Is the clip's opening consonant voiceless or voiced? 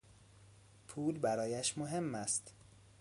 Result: voiceless